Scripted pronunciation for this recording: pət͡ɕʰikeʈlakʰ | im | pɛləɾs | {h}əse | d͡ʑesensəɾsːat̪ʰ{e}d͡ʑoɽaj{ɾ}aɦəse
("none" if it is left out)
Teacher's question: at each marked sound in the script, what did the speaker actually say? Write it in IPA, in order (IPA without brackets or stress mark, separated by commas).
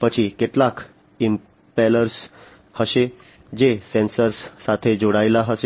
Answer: h, e, l